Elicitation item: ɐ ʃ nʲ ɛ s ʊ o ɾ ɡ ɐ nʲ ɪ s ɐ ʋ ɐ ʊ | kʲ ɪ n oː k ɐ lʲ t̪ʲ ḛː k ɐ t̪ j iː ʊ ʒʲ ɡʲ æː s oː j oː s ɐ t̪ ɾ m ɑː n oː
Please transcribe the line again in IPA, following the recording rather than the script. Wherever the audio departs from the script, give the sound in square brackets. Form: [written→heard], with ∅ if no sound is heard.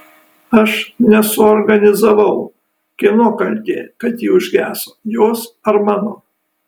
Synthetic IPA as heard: ɐ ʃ nʲ ɛ s ʊ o ɾ ɡ ɐ nʲ ɪ [s→z] ɐ ʋ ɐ ʊ | kʲ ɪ n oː k ɐ lʲ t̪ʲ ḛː k ɐ t̪ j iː ʊ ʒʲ ɡʲ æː s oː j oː s ɐ [t̪→∅] ɾ m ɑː n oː